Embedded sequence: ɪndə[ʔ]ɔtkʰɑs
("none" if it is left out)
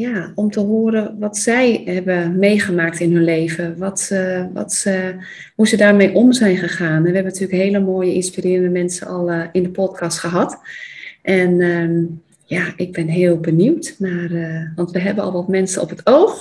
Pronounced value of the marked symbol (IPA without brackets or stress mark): p